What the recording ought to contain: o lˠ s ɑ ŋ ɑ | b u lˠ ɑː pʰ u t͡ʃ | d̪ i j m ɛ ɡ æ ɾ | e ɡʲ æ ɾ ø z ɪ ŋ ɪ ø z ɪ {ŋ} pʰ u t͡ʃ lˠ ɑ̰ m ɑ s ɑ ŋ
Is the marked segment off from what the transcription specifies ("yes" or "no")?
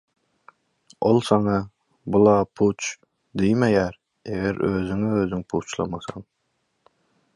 no